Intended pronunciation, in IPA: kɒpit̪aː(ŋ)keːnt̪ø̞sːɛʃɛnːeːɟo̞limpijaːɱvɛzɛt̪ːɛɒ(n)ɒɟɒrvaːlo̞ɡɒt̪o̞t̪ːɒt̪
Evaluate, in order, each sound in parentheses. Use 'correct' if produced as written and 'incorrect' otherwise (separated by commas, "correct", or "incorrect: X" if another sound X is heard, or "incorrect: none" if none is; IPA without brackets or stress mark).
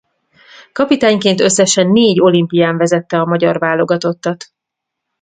incorrect: ɲ, incorrect: m